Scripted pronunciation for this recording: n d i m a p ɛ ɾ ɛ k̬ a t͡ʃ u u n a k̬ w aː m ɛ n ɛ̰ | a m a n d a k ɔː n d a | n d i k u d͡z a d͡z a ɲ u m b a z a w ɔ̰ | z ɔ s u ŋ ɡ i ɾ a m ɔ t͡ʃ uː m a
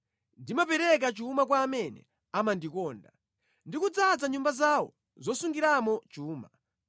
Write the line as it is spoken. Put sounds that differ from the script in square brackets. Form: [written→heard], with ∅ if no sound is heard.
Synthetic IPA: n d i m a p ɛ ɾ ɛ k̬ a t͡ʃ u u [n→m] a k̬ w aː m ɛ n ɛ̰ | a m a n d [a→i] k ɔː n d a | n d i k u d͡z a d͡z a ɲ u m b a z a w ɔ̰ | z ɔ s u ŋ ɡ i ɾ a m ɔ t͡ʃ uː m a